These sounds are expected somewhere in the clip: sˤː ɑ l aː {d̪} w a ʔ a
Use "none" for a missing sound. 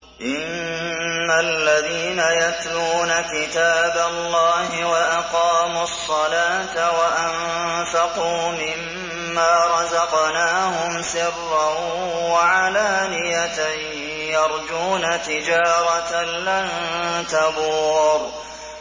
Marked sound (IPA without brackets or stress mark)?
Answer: t̪